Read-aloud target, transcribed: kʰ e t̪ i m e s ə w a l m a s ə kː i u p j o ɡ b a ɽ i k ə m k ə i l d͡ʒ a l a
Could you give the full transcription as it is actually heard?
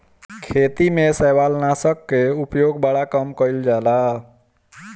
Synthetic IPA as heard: kʰ e t̪ i m e s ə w a l n a s ə kː e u p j o ɡ b a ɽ a k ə m k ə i l d͡ʒ a l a